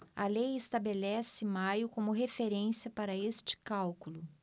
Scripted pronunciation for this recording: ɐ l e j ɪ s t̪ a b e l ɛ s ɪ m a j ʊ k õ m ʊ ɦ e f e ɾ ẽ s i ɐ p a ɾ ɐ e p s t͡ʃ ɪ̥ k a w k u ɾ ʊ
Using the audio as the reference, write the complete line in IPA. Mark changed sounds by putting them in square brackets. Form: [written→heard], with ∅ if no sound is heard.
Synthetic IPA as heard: ɐ l e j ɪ s t̪ a b e l ɛ s ɪ m a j ʊ k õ m ʊ ɦ e f e ɾ ẽ s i ɐ p a ɾ ɐ e [p→∅] s t͡ʃ ɪ̥ k a w k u [ɾ→l] ʊ